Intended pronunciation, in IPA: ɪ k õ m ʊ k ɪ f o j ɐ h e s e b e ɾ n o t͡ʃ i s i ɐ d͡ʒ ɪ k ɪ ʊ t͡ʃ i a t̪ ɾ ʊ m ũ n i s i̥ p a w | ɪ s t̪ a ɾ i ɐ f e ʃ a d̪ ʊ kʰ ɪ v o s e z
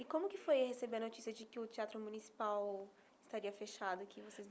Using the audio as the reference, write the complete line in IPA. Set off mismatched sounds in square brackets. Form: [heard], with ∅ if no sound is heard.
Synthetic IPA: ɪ k õ m ʊ k ɪ f o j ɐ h e s e b e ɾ n o t͡ʃ i s i ɐ d͡ʒ ɪ k ɪ ʊ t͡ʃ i a t̪ ɾ ʊ m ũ n i s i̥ p a w | ɪ s t̪ a ɾ i ɐ f e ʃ a d̪ ʊ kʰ ɪ v o s e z